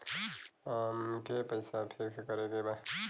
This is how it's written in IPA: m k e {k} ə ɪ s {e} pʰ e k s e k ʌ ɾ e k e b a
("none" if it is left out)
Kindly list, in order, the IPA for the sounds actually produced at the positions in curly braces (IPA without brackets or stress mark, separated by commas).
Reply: p, a